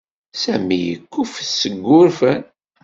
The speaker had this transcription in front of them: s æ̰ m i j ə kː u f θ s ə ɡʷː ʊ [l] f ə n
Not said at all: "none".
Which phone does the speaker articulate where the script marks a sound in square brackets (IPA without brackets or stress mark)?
ɾ